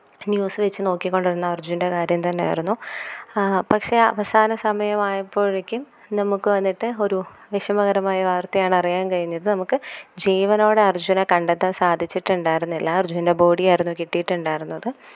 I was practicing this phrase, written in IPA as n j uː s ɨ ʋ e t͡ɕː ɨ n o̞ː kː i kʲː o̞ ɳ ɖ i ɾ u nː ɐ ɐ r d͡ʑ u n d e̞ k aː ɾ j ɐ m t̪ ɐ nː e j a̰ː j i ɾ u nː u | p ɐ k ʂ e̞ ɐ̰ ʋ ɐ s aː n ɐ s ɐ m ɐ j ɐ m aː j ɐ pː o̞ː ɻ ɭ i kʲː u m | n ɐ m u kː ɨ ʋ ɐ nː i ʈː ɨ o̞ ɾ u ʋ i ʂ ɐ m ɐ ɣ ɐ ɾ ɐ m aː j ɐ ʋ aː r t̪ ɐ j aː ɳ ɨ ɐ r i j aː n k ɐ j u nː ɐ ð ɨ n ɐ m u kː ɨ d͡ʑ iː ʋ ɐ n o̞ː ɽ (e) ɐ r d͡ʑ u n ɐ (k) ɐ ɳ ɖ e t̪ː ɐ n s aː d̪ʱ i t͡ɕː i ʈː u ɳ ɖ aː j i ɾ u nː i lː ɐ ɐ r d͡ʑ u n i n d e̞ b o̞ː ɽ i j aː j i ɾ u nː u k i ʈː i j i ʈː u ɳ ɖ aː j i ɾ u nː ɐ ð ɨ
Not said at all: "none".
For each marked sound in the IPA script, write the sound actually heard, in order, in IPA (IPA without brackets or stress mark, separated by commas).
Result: e, k